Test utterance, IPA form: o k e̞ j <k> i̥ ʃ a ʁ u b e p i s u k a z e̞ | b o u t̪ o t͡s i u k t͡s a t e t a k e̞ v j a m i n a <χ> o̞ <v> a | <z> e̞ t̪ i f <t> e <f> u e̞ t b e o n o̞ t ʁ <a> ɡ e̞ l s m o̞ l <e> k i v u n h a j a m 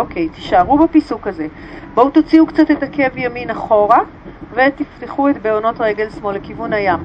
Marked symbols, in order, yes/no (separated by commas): no, yes, no, no, yes, no, no, yes